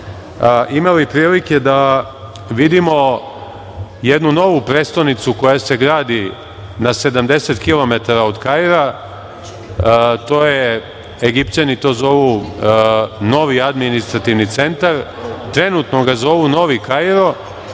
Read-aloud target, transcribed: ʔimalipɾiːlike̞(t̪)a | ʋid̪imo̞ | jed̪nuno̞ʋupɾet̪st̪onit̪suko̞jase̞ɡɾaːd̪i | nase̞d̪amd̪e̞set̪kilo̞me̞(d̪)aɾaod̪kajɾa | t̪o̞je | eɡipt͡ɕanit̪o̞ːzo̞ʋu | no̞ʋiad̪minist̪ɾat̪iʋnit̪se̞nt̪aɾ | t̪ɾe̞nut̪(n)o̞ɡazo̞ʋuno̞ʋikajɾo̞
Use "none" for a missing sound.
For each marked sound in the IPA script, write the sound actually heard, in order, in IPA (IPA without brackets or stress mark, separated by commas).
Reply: d̪, t̪, n